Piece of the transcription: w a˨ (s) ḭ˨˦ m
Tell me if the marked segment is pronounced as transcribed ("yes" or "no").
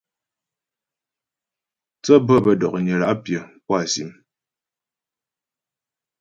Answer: yes